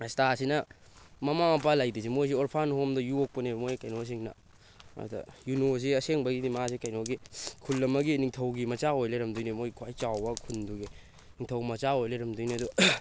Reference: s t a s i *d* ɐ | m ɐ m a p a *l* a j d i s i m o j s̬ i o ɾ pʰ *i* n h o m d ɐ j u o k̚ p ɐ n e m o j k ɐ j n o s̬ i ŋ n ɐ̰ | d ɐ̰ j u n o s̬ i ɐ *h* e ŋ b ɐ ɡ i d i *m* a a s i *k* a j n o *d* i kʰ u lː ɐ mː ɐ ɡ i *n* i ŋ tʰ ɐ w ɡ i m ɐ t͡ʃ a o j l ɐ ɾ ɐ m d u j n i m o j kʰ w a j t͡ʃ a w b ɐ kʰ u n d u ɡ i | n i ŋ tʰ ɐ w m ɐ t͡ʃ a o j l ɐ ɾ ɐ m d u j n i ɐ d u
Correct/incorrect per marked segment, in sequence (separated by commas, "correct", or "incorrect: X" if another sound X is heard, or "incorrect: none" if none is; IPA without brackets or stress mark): incorrect: n, correct, incorrect: a, incorrect: s, correct, correct, incorrect: ɡ, correct